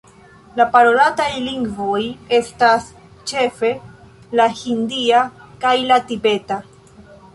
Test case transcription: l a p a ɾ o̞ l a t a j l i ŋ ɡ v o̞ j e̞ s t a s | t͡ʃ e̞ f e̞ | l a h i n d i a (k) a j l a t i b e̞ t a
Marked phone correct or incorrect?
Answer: correct